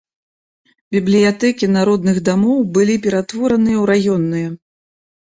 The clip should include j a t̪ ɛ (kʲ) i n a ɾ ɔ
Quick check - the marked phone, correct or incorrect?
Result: correct